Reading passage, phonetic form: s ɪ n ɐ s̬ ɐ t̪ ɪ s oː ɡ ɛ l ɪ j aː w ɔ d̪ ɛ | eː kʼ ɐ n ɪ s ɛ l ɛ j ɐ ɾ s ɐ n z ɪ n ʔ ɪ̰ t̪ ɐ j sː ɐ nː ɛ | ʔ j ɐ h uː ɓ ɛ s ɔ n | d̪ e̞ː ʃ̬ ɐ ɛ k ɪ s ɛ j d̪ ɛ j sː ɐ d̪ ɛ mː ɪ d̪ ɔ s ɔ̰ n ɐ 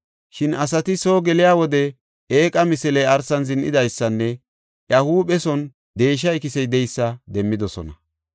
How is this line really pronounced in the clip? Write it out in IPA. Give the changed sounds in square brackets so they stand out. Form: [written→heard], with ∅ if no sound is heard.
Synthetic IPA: [s→ʃ] ɪ n ɐ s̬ ɐ t̪ ɪ s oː ɡ ɛ l ɪ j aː w ɔ d̪ ɛ | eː kʼ ɐ [n→m] ɪ s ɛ l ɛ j ɐ ɾ s ɐ n z ɪ n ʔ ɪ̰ [t̪→d̪] ɐ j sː ɐ nː ɛ | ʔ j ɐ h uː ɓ ɛ s ɔ n | d̪ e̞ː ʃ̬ ɐ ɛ k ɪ s ɛ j d̪ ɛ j sː ɐ d̪ ɛ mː ɪ d̪ ɔ s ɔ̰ n ɐ